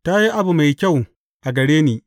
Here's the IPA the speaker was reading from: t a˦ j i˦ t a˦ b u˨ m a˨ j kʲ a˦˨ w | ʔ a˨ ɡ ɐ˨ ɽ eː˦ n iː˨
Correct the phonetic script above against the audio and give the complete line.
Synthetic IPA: t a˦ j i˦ ʔ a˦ b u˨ m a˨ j kʲ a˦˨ w | ʔ a˨ ɡ ɐ˨ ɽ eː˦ n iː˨

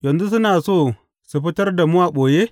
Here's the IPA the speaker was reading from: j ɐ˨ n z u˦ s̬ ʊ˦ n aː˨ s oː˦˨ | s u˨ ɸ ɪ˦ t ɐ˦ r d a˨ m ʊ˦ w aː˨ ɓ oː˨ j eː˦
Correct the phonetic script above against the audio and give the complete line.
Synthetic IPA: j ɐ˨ n z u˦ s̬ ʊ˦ n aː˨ s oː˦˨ | s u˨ ɸ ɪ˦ t ɐ˦ r d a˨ m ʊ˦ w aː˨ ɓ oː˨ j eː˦

